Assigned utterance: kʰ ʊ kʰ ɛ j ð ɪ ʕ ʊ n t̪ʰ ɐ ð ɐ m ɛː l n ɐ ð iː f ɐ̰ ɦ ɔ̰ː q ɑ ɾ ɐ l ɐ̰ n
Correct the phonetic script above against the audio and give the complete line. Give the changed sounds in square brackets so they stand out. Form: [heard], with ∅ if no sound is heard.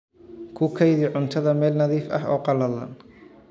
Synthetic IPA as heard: kʰ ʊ kʰ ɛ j ð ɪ ʕ ʊ n t̪ʰ ɐ ð ɐ m ɛː l n ɐ ð iː f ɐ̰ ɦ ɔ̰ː q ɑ [l] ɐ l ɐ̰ n